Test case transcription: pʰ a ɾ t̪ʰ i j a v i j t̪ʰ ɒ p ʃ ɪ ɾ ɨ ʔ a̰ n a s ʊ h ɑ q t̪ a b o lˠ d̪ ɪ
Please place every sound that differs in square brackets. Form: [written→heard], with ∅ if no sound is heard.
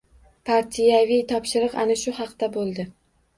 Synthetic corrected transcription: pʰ a ɾ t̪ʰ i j a v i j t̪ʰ ɒ p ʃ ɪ ɾ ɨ [ʔ→q] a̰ n a [s→ʃ] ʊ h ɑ q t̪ a b o lˠ d̪ ɪ